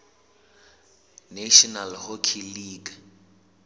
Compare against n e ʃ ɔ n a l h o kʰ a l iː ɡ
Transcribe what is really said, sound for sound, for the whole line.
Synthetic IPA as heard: n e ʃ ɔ n a l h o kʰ i l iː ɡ